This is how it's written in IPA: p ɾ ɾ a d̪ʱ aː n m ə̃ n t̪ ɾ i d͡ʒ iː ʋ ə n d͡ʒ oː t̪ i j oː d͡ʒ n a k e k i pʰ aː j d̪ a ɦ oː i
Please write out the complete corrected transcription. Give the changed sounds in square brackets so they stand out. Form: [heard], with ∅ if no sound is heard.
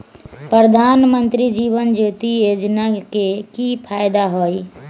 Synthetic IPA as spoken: p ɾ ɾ [ə] d̪ʱ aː n m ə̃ n t̪ ɾ i d͡ʒ iː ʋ ə n d͡ʒ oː t̪ i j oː d͡ʒ n a k e k i pʰ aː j d̪ a ɦ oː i